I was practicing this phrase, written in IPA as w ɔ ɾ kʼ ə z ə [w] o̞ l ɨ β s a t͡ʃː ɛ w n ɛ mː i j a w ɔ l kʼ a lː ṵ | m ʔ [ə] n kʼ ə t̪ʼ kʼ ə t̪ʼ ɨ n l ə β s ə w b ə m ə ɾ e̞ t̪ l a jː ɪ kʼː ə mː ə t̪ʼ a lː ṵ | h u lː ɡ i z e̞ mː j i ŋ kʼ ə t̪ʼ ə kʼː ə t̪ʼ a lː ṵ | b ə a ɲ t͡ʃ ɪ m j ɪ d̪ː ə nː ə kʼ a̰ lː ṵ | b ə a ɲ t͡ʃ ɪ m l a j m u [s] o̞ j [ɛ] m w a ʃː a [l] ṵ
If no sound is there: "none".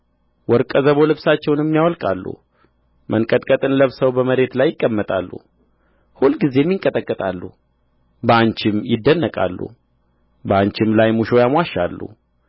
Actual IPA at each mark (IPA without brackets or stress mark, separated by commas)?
β, ə, ʃ, a, lː